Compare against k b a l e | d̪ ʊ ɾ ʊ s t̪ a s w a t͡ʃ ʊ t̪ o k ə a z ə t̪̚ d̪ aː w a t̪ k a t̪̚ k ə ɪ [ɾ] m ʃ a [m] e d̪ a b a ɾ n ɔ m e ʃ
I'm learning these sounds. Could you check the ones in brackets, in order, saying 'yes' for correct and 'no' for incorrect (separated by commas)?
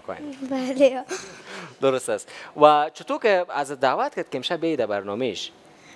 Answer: no, no